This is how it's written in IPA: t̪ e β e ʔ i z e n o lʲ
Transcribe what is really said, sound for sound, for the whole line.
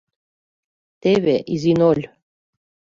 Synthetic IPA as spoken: t̪ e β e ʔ i z i n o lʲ